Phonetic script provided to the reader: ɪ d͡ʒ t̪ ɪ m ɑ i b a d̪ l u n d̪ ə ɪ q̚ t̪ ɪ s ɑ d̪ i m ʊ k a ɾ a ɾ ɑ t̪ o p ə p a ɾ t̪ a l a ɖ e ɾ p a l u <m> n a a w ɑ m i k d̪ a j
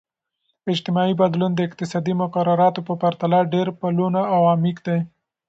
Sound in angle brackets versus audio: incorrect: none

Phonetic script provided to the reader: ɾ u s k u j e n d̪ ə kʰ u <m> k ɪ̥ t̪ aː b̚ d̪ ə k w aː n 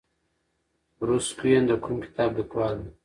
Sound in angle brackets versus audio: correct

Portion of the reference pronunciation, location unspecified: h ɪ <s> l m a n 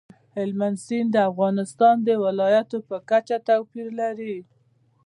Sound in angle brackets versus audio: incorrect: none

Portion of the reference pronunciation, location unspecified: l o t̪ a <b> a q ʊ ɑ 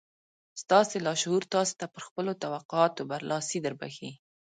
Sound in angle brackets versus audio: incorrect: w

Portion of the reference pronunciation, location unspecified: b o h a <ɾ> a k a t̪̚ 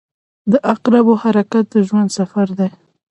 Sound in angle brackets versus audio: correct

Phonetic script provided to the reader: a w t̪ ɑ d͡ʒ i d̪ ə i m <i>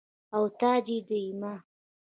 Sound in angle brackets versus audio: incorrect: a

